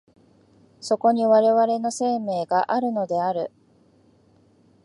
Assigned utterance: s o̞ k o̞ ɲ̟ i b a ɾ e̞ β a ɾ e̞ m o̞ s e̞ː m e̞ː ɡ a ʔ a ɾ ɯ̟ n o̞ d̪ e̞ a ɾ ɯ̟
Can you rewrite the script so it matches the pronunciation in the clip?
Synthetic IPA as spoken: s o̞ k o̞ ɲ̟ i β a ɾ e̞ β a ɾ e̞ n o̞ s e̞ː m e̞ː ɡ a ʔ a ɾ ɯ̟ n o̞ d̪ e̞ a ɾ ɯ̟